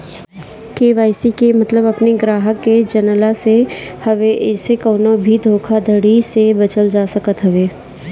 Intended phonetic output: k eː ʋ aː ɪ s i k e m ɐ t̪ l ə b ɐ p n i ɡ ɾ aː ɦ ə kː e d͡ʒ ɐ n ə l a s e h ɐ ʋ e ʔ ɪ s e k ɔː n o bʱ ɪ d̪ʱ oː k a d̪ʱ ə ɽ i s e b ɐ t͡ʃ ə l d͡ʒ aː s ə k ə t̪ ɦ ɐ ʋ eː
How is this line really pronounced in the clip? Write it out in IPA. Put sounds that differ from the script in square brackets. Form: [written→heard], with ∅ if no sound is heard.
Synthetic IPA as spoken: k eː ʋ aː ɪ s i k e m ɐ t̪ l ə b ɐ p n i ɡ ɾ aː ɦ ə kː e d͡ʒ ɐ n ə l a s e h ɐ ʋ e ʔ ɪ s e k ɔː n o bʱ [ɪ→i] d̪ʱ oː [k→kʰ] a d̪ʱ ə ɽ i s e b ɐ t͡ʃ ə l d͡ʒ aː s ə k ə t̪ ɦ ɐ ʋ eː